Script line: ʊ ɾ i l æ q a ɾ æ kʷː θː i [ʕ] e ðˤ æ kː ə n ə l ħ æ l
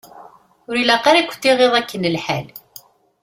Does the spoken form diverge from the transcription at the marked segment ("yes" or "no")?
yes